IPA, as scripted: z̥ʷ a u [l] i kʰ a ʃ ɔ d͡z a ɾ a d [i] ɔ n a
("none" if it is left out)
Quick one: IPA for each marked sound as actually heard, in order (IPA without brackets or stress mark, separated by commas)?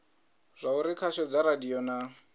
ɾ, i